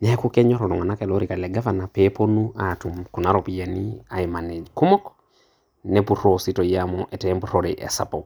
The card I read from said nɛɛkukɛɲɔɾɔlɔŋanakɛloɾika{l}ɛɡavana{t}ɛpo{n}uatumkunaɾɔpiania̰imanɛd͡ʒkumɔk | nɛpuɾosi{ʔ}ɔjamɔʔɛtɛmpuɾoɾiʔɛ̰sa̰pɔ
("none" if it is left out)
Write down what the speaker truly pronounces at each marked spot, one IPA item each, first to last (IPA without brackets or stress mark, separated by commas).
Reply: l, p, n, t